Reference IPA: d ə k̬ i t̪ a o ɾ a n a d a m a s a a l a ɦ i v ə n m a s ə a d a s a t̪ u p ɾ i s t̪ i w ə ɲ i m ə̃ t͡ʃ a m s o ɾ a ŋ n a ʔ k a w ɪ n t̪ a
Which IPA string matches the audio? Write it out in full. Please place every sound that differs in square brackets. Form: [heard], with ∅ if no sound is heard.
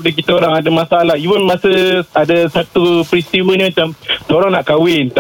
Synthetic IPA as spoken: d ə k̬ i t̪ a o ɾ a [ŋ] a d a m a s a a l a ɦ i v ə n m a s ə a d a s a t̪ u p ɾ i s t̪ i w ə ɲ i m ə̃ t͡ʃ a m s o ɾ a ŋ n a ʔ k a w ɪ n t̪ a